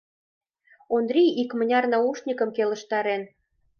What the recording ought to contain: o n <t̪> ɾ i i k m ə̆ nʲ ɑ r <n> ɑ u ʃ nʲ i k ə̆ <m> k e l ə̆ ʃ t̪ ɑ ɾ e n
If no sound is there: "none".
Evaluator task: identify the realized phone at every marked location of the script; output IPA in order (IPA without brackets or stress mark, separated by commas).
d̪, n, m